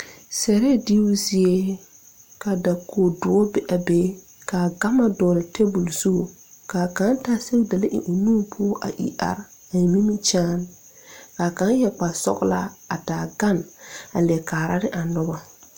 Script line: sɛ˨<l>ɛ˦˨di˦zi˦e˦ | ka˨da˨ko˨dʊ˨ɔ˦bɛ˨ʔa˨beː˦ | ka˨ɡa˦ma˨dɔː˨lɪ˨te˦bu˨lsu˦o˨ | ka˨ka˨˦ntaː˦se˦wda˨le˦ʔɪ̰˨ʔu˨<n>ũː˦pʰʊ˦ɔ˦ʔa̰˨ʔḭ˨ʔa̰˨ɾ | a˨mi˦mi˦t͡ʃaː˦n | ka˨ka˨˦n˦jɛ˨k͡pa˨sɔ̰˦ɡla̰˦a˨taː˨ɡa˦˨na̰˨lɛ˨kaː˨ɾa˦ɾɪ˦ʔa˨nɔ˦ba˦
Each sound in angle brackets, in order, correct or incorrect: incorrect: ɾ, correct

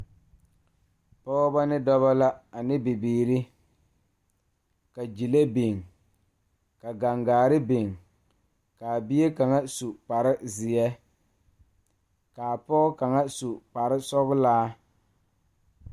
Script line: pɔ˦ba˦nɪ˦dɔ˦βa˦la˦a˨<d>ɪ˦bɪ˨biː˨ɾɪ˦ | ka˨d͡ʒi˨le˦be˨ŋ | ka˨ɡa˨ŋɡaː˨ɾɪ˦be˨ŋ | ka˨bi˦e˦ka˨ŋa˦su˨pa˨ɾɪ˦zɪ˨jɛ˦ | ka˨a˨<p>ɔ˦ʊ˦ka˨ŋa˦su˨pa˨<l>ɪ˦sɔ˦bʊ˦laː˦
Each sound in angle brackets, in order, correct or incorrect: incorrect: n, correct, incorrect: ɾ

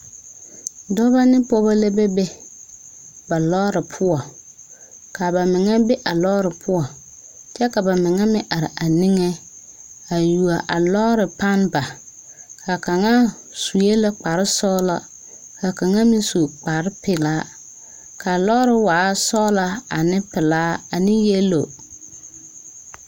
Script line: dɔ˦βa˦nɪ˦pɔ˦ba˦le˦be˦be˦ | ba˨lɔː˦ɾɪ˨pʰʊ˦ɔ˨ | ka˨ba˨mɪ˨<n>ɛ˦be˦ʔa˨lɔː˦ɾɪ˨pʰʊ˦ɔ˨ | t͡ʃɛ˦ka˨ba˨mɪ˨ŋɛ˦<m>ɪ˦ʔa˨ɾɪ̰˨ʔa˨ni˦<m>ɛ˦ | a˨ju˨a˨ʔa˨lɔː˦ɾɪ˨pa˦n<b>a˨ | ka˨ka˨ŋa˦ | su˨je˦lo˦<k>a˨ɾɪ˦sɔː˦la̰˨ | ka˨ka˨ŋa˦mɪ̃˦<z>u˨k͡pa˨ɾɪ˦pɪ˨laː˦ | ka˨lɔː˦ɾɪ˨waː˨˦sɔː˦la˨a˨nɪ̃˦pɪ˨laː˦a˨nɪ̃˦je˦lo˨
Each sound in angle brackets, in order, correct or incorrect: incorrect: ŋ, correct, incorrect: ŋ, correct, incorrect: k͡p, incorrect: s

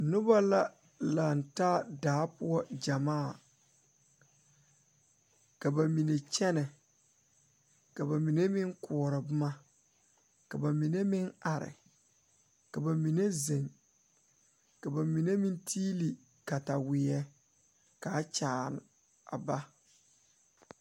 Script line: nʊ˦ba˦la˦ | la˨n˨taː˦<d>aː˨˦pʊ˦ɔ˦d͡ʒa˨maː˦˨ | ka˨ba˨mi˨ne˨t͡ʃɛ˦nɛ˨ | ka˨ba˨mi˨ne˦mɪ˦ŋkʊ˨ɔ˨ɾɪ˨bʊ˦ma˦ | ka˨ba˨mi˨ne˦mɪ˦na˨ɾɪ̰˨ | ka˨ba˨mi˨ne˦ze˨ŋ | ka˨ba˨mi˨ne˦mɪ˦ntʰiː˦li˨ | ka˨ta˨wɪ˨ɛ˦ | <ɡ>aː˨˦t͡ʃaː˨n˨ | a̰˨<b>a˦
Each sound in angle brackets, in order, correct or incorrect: correct, incorrect: k, correct

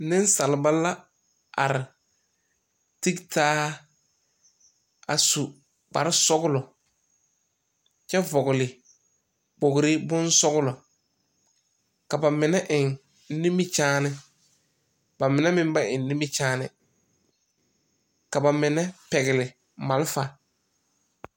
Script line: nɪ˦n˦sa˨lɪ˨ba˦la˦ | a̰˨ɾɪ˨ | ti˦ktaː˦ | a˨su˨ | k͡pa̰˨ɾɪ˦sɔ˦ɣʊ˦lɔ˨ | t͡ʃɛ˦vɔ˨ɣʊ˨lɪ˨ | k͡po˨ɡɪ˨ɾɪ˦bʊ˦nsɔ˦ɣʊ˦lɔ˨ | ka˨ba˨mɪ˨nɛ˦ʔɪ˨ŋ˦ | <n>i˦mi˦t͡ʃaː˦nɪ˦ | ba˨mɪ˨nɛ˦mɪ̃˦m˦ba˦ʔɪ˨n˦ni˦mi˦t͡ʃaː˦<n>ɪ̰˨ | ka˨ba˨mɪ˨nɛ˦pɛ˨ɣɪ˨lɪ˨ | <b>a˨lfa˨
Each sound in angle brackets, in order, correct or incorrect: correct, correct, incorrect: m

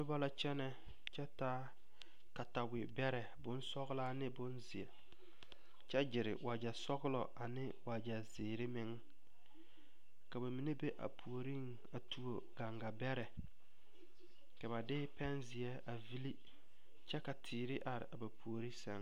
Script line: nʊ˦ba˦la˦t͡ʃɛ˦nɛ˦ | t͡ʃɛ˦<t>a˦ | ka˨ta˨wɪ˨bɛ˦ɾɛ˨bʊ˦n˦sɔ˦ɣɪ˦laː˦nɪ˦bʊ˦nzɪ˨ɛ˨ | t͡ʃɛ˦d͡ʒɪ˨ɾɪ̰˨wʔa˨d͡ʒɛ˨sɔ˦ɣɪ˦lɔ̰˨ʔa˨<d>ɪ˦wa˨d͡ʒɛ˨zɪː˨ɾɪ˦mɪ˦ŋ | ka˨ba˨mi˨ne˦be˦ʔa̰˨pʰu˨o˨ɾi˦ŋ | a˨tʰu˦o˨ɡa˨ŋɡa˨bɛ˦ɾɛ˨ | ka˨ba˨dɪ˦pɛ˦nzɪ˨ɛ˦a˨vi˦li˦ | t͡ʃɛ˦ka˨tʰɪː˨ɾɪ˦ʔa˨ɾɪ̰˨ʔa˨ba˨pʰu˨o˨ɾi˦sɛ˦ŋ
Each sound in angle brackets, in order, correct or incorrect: correct, incorrect: n

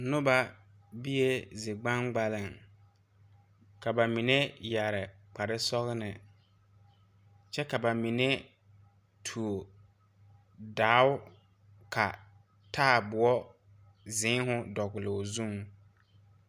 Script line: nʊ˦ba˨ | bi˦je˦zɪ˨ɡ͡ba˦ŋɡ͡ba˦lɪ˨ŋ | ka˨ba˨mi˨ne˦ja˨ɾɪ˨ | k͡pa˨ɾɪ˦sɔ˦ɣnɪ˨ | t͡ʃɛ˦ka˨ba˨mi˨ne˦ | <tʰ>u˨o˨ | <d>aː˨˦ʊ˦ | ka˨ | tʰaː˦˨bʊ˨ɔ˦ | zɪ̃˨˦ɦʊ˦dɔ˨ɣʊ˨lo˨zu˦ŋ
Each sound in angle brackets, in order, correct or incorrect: correct, correct

